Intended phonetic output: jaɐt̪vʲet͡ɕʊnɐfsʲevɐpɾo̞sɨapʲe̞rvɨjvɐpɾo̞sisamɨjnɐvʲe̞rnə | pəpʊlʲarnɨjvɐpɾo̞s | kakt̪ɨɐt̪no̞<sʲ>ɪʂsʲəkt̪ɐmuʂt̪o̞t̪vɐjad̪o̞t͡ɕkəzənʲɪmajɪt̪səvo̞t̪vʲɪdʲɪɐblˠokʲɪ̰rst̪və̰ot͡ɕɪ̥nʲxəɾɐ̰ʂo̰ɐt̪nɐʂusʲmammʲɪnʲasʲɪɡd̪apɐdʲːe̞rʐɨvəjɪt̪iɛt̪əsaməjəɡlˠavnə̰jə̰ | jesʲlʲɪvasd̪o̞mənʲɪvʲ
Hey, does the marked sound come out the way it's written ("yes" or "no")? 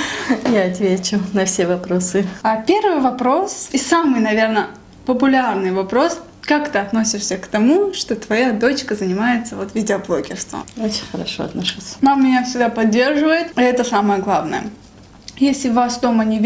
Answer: yes